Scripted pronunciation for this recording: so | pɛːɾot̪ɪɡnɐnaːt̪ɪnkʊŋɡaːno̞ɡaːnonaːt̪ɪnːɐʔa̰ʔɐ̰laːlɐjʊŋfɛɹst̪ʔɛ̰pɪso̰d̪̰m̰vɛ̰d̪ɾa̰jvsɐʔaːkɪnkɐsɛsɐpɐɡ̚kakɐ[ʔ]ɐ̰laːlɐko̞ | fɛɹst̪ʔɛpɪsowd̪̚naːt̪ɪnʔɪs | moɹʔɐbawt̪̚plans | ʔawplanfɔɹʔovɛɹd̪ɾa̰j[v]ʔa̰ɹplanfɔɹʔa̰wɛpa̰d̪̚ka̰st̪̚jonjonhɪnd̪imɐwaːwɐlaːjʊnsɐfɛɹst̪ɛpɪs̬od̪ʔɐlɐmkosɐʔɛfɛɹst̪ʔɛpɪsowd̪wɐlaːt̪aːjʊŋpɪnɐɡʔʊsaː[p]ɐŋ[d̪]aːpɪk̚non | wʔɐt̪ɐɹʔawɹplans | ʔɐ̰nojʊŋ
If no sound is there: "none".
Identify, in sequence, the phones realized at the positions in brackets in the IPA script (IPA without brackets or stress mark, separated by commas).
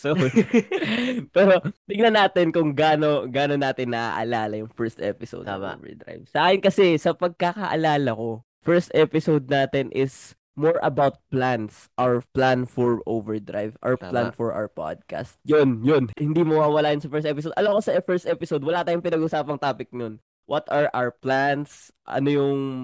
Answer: ʔ, v, p, t̪